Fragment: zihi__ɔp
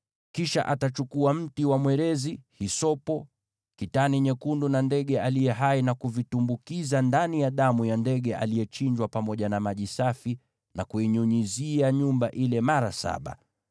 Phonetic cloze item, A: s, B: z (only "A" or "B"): A